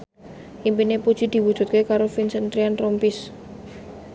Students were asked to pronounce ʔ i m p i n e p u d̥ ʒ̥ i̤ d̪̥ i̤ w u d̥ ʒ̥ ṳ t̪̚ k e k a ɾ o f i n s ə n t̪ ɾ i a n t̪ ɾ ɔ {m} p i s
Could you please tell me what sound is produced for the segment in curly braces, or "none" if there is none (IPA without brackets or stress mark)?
m